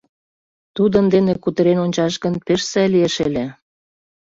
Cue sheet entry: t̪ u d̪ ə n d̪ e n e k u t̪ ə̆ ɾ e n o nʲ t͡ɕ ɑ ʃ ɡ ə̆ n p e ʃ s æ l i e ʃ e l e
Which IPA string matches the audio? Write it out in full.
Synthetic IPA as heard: t̪ u d̪ ə n d̪ e n e k u t̪ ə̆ ɾ e n o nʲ t͡ɕ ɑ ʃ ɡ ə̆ n p e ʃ s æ l i e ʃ e l e